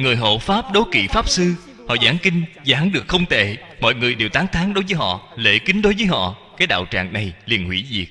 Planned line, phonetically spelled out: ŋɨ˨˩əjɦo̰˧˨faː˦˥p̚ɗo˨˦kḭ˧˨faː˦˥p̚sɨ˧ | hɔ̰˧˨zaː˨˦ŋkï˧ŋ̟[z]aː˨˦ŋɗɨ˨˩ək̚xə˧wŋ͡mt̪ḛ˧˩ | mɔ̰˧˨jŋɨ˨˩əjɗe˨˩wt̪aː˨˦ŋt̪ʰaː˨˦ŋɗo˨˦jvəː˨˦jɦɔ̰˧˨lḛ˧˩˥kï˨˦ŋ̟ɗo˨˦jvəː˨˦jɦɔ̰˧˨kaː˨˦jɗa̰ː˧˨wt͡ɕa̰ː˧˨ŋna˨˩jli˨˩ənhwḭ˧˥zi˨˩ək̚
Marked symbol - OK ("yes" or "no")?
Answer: yes